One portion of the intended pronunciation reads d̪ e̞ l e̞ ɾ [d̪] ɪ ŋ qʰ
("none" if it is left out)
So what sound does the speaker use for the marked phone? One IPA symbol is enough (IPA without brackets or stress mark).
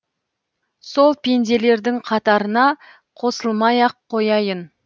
d̪